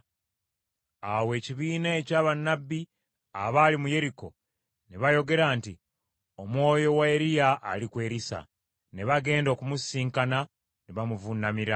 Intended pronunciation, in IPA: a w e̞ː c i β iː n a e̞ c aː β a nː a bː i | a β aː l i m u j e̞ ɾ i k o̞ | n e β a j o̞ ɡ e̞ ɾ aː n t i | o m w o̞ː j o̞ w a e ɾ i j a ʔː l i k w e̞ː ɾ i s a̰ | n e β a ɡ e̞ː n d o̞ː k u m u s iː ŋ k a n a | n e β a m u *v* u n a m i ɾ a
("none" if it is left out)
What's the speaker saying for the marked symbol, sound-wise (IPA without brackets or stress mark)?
v